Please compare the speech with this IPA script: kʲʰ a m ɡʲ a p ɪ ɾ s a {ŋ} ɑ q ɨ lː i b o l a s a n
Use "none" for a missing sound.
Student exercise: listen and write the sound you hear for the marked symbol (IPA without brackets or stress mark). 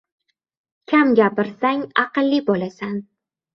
ŋ